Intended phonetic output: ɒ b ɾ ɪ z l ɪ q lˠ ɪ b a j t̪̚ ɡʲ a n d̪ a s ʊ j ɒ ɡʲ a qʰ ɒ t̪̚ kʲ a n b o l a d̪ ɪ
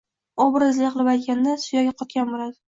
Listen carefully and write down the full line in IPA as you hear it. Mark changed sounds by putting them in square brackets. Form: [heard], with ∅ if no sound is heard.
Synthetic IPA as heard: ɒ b ɾ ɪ z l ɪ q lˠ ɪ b a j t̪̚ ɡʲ a n d̪ a s ʊ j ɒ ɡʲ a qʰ ɒ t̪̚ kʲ a n b o l a d̪ ɪ